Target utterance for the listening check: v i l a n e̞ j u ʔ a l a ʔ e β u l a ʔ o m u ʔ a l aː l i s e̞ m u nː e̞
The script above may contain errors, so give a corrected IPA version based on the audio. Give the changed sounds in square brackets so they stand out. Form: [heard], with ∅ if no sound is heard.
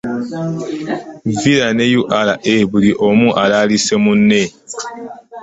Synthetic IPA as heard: v i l a n e̞ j u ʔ a l a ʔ e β u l [i] ʔ o m u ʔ a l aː l i s e̞ m u nː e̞